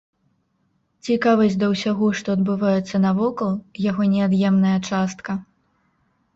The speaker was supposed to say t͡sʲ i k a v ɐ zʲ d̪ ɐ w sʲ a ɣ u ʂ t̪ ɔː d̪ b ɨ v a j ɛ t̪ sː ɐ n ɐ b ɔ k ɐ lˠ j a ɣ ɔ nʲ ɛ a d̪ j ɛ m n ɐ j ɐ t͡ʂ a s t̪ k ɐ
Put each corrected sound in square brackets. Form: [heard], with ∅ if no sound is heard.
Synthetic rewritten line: t͡sʲ i k a v ɐ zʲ d̪ ɐ w sʲ a ɣ [ɔ] ʂ t̪ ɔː d̪ b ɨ v a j ɛ t̪ sː ɐ n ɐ [v] ɔ k ɐ lˠ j a ɣ ɔ nʲ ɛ a d̪ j ɛ m n ɐ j ɐ t͡ʂ a s t̪ k ɐ